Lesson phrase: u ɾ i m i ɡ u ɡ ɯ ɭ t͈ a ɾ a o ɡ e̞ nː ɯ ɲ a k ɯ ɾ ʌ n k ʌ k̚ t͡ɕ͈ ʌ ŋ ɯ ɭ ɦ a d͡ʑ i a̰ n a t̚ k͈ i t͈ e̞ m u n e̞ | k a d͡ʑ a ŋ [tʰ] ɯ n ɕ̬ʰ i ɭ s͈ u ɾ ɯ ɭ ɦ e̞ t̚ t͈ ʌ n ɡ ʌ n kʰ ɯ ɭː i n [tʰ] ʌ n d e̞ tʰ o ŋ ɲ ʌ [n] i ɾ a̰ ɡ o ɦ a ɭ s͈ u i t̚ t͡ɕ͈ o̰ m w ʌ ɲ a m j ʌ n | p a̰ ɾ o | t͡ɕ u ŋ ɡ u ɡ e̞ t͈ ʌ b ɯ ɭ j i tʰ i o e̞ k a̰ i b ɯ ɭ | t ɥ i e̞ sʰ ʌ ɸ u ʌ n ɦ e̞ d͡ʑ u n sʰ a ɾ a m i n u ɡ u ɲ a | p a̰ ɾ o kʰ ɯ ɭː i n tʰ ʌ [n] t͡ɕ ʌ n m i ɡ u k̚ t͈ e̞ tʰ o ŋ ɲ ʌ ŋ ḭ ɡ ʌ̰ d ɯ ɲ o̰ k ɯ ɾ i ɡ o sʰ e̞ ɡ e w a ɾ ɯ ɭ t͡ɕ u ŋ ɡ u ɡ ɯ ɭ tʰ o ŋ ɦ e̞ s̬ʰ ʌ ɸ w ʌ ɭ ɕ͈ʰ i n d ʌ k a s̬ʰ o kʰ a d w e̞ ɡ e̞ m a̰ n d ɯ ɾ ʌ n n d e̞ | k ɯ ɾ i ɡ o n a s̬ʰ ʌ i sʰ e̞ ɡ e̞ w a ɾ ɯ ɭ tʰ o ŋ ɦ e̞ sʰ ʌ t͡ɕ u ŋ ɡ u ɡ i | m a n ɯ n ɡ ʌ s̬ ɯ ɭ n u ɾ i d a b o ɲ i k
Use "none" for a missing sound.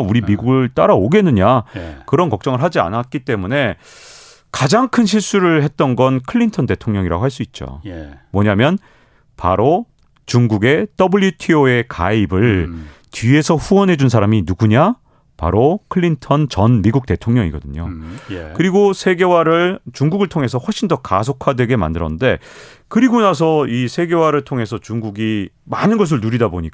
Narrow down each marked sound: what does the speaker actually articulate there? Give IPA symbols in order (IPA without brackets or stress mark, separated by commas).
kʰ, tʰ, ŋ, n